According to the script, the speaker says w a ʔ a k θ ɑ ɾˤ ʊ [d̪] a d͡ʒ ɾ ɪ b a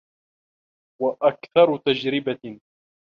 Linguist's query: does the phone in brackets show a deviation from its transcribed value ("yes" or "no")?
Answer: yes